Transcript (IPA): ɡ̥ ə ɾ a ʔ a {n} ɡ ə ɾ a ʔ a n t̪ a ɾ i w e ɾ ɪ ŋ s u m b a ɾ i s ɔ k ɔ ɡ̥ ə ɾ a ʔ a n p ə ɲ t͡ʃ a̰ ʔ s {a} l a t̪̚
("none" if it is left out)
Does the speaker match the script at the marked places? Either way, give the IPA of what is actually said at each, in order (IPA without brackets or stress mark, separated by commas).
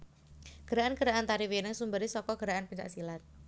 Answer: n, i